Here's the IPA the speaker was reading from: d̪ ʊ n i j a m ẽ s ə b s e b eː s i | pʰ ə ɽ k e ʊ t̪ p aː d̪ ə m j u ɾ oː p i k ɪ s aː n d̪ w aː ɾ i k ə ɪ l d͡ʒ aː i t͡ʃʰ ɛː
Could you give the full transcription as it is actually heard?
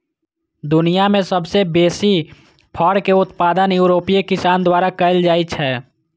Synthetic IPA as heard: d̪ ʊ n i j a m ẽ s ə b s e b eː s i | pʰ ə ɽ k e ʊ t̪ p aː d̪ ə n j u ɾ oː p i k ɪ s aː n d̪ w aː ɾ a k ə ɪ l d͡ʒ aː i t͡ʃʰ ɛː